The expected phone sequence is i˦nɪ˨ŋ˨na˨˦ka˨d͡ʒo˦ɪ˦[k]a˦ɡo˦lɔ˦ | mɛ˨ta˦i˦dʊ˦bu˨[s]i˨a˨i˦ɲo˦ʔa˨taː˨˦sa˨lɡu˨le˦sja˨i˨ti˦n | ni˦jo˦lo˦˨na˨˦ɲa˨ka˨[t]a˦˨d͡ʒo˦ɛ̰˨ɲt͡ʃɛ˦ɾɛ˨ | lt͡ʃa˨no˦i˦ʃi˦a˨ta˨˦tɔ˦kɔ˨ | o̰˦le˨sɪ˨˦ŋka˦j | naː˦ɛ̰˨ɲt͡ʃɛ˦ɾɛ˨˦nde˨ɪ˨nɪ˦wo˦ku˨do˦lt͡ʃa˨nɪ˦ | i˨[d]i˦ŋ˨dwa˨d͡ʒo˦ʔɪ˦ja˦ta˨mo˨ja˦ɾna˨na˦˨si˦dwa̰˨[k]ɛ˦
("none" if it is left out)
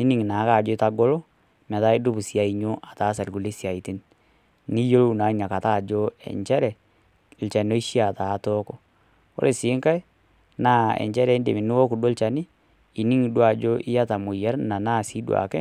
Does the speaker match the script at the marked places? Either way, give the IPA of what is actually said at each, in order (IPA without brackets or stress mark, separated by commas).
t, s, t, n, k